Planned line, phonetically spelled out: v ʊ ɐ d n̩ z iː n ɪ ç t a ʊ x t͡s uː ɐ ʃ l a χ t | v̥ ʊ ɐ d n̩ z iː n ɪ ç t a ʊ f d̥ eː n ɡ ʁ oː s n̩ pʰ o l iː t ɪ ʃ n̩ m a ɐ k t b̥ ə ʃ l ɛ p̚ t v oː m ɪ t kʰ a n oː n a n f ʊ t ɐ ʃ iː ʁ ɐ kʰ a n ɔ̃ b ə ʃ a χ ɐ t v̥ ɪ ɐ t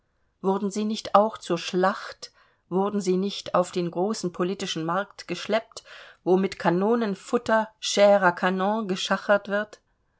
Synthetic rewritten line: v ʊ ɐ d n̩ z iː n ɪ ç t a ʊ x t͡s uː ɐ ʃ l a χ t | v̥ ʊ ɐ d n̩ z iː n ɪ ç t a ʊ f d̥ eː n ɡ ʁ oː s n̩ pʰ o l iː t ɪ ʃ n̩ m a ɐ k t ɡ̥ ə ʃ l ɛ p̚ t v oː m ɪ t kʰ a n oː n ə n f ʊ t ɐ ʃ ɛː ʁ ɐ kʰ a n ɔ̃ ɡ ə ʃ a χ ɐ t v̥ ɪ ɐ t